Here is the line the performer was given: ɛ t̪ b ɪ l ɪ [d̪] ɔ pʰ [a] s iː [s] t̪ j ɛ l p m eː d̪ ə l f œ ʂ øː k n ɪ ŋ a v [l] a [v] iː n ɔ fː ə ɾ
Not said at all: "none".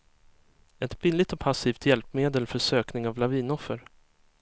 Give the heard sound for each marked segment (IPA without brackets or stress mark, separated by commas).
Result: t̪, a, f, l, v